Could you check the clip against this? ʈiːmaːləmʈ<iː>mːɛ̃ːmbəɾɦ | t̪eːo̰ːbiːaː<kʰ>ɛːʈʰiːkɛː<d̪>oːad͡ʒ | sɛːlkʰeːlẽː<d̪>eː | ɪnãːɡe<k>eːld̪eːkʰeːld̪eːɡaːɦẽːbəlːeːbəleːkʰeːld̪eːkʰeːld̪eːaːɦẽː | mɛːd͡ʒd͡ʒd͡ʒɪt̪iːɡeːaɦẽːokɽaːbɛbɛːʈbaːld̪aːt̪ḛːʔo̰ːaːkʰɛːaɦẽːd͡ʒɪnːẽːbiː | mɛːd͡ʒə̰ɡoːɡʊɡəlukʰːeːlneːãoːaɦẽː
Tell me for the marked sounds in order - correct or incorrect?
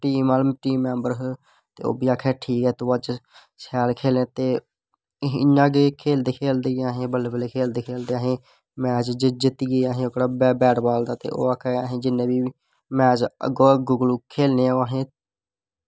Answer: correct, correct, incorrect, incorrect, incorrect

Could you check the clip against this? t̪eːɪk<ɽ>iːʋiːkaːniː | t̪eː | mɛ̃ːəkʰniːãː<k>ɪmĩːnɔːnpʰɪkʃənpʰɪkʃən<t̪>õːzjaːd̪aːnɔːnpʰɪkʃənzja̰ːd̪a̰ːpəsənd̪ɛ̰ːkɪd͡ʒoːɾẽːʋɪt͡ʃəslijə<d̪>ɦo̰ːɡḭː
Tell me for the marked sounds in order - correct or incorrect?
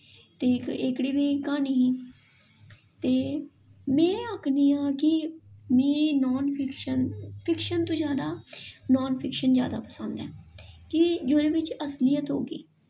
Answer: correct, correct, correct, incorrect

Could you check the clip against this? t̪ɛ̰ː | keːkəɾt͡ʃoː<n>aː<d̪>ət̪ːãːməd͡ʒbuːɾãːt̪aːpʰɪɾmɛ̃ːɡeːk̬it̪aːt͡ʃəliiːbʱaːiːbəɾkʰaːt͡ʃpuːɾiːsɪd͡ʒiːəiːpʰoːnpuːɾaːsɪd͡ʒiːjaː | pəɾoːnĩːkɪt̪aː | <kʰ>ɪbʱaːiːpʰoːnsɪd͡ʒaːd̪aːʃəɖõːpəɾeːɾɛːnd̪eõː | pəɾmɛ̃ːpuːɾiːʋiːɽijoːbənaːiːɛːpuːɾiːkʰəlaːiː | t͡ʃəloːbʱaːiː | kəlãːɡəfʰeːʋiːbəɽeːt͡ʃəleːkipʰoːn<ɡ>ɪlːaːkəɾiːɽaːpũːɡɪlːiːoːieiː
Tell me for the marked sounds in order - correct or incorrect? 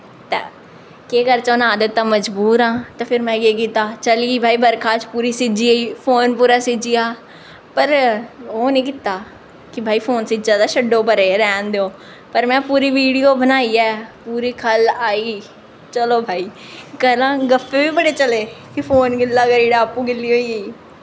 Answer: correct, correct, incorrect, correct

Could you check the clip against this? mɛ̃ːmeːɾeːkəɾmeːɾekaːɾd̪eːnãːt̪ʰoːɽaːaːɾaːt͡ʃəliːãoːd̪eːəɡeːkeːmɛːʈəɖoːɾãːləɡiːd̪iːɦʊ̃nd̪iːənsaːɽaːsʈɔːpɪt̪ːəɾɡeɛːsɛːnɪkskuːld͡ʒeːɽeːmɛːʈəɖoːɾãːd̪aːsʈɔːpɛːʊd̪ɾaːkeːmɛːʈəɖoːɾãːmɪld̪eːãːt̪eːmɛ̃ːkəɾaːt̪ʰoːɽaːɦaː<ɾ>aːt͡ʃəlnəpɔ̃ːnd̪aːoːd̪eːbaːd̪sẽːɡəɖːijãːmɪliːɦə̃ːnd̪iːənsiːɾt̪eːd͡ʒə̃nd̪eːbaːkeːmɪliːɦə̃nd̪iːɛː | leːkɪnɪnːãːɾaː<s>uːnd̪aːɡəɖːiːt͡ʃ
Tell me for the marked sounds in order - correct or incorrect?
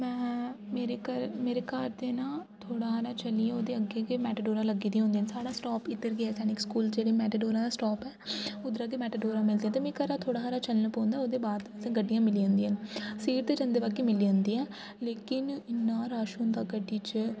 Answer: correct, incorrect

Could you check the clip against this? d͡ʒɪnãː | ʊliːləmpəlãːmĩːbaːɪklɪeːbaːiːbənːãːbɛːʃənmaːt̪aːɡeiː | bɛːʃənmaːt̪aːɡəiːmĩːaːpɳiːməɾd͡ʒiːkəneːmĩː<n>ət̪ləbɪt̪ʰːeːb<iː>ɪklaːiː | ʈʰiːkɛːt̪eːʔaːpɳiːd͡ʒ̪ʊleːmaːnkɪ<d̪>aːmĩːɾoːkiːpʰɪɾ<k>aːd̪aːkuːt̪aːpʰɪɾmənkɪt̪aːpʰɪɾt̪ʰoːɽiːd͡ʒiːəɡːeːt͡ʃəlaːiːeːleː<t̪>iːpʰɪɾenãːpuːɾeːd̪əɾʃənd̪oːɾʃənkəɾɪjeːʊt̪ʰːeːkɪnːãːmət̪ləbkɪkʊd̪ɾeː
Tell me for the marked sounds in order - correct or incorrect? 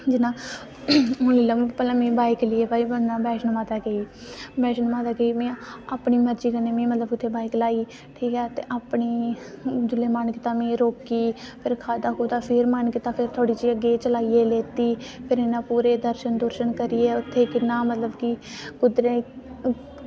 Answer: incorrect, incorrect, incorrect, incorrect, correct

